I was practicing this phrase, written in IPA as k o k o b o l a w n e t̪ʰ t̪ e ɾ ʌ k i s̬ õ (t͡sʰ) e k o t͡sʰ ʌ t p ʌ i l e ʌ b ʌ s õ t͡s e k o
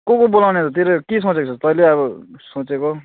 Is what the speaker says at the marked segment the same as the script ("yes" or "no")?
no